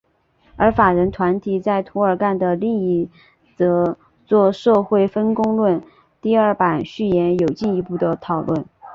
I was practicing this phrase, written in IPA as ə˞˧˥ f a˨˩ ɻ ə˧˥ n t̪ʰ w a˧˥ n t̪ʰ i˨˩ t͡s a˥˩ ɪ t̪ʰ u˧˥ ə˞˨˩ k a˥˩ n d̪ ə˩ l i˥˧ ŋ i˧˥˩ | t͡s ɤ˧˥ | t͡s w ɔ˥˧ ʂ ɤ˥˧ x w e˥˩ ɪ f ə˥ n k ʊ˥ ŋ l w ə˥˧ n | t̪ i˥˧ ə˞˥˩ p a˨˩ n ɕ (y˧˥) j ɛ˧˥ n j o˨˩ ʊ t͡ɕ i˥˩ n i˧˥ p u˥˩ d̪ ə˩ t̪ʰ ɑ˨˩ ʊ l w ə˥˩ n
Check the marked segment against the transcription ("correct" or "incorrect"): incorrect